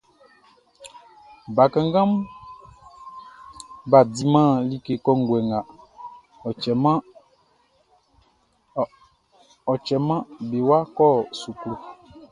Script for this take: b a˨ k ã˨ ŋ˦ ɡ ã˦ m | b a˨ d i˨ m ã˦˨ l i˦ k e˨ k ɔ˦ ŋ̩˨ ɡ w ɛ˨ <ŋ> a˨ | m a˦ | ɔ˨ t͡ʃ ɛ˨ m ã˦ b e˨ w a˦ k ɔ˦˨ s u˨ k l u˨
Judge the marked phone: correct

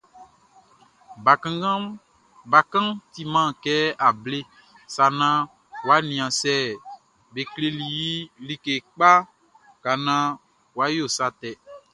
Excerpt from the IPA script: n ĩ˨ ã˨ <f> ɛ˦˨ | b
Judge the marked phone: incorrect: s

